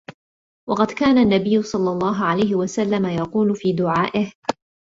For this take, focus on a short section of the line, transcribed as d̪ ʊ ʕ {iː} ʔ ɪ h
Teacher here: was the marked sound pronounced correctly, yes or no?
no